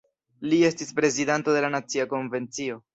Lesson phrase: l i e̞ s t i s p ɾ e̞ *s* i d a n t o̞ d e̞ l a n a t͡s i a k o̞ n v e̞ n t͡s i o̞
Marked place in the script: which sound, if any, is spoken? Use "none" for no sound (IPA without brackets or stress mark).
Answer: z